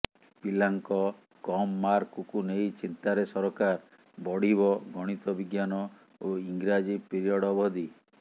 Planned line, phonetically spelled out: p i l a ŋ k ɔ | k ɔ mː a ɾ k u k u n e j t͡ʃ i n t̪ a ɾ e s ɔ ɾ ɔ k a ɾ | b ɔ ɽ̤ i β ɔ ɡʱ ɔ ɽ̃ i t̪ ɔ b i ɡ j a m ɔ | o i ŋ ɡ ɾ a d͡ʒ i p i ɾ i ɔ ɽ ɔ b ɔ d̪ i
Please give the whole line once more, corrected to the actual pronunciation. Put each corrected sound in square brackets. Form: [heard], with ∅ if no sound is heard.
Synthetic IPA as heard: p i l a ŋ k ɔ | k ɔ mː a ɾ k u k u n e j t͡ʃ i n t̪ a ɾ e s ɔ ɾ ɔ k a ɾ | b ɔ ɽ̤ i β ɔ ɡʱ ɔ ɽ̃ i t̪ ɔ b i ɡ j a [n] ɔ | o i ŋ ɡ ɾ a d͡ʒ i p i ɾ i ɔ ɽ ɔ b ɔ d̪ i